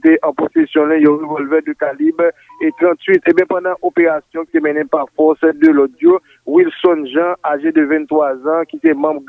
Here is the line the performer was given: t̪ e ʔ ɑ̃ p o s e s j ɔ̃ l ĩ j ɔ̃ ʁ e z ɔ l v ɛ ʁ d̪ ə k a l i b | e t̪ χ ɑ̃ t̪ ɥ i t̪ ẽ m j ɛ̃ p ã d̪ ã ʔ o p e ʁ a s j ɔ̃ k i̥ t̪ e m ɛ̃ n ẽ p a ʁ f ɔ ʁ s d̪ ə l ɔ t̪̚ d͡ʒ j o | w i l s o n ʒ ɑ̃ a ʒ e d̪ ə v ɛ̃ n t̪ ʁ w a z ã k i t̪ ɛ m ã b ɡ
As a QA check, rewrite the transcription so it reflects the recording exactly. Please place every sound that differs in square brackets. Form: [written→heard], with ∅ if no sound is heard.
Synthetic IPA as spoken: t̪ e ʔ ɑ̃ p o s e s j ɔ̃ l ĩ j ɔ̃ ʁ e [z→v] ɔ l v ɛ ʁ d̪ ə k a l i b | e t̪ [χ→ʁ] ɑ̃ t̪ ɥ i t̪ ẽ [m→b] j ɛ̃ p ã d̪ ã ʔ o p e ʁ a s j ɔ̃ k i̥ t̪ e m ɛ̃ n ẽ p a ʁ f ɔ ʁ s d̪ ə l ɔ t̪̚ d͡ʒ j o | w i l s [o→ɔ] n ʒ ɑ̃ a ʒ e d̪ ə v ɛ̃ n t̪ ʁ w a z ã k i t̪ ɛ m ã b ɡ